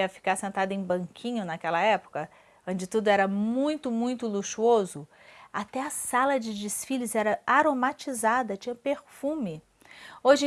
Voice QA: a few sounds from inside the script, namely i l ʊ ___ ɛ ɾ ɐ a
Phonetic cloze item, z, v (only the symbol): z